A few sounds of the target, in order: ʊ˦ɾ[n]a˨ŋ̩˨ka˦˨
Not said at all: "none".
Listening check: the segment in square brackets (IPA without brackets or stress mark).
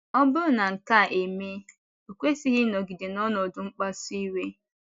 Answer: n